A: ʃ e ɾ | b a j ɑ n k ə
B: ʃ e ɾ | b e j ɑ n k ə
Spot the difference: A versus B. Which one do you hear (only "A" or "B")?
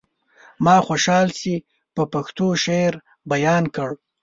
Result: A